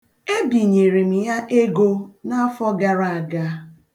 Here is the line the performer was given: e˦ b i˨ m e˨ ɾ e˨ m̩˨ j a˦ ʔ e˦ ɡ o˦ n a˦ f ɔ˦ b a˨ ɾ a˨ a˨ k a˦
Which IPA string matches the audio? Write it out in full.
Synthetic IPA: e˦ b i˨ ɲ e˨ ɾ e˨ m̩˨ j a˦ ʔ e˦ ɡ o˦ n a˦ f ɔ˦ ɡ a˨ ɾ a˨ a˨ ɡ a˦